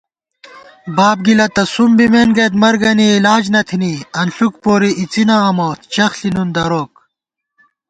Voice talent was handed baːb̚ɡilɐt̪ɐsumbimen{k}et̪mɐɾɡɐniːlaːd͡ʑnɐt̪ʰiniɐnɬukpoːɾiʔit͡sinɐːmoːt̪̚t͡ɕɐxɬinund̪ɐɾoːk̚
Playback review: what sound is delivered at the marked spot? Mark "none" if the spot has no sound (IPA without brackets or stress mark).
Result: ɡ